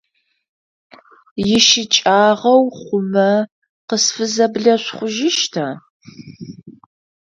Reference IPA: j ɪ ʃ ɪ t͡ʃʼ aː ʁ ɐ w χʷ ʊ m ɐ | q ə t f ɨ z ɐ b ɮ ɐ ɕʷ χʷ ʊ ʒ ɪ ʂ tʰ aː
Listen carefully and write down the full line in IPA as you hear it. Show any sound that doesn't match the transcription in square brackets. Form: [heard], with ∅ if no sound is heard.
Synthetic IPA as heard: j ɪ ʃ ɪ t͡ʃʼ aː ʁ ɐ w χʷ ʊ m ɐ | q ə [s] f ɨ z ɐ b ɮ ɐ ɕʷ χʷ ʊ ʒ ɪ [ʃ] tʰ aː